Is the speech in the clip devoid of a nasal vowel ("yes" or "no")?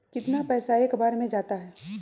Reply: no